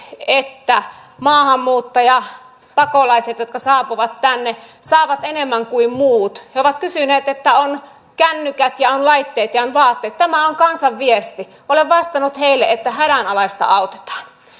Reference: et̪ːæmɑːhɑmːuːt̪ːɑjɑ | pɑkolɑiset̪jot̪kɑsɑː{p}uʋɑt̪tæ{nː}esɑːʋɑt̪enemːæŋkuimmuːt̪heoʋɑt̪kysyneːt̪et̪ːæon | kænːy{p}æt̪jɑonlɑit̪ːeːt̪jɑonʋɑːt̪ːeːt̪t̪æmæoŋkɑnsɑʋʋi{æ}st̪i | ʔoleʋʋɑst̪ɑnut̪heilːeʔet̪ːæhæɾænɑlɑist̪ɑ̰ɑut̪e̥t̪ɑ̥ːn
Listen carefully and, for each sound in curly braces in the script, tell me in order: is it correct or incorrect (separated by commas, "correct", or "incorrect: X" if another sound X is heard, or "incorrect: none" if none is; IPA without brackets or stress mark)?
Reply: correct, correct, incorrect: k, incorrect: e